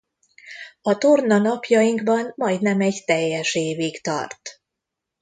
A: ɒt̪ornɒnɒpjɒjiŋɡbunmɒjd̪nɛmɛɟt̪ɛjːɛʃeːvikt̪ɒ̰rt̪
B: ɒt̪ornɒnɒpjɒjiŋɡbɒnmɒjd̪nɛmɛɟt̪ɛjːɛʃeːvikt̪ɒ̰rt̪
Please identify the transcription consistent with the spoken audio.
B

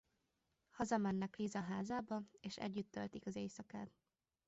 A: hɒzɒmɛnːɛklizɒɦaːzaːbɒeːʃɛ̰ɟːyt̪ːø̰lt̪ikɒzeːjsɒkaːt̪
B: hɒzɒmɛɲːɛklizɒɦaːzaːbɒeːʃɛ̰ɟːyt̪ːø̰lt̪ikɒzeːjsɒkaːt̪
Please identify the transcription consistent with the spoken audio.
A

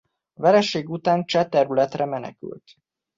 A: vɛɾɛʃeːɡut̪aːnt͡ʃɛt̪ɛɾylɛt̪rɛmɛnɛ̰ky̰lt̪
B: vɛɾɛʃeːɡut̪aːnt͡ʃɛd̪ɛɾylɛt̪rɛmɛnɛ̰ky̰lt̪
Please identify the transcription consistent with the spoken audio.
A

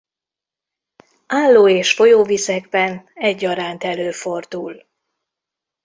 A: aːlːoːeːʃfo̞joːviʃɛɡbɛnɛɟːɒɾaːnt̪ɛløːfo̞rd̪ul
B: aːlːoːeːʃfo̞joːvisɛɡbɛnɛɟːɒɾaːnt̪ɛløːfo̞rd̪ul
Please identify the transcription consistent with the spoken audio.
B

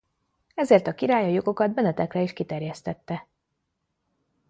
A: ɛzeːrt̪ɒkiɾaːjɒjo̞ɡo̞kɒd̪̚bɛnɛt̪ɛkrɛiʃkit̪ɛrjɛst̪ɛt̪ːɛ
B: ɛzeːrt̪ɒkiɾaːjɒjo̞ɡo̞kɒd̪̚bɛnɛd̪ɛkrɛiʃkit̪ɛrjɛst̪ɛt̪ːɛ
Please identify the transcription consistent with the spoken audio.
A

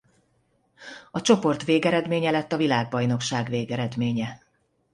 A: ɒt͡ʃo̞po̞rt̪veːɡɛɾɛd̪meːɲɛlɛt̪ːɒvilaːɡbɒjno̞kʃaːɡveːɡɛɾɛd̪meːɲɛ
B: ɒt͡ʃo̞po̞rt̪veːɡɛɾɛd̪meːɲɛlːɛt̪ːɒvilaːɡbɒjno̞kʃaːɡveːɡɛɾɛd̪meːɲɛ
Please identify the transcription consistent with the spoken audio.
A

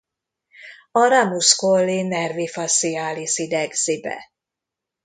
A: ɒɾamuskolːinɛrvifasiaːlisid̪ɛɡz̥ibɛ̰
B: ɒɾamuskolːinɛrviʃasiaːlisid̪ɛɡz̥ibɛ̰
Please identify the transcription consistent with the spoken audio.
A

